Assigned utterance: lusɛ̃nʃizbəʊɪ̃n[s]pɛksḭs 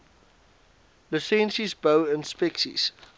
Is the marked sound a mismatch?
no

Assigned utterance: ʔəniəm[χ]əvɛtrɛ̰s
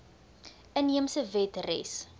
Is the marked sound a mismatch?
yes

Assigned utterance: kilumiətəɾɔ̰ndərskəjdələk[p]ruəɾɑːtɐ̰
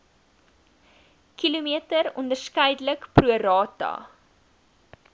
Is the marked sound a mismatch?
no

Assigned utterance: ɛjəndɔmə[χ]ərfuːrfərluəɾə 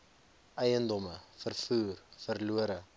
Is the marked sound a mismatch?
yes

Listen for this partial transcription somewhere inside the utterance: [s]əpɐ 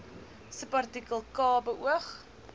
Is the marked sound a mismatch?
no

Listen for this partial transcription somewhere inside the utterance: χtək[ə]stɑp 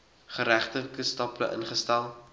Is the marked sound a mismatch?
no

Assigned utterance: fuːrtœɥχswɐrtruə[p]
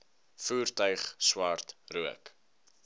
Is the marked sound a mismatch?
yes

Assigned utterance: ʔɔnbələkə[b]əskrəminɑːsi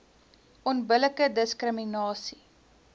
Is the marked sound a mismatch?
yes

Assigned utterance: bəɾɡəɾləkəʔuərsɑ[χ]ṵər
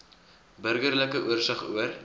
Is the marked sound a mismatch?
no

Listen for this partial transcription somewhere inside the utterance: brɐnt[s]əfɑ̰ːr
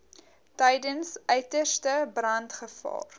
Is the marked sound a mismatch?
yes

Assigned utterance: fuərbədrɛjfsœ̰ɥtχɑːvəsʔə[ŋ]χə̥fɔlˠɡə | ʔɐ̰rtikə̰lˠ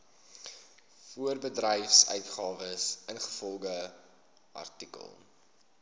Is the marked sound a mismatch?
yes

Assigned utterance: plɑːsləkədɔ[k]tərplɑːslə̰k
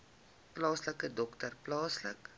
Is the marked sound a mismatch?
no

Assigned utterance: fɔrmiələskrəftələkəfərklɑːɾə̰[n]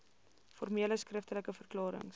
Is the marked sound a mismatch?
yes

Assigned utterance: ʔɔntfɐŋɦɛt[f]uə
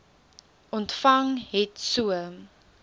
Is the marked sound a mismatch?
yes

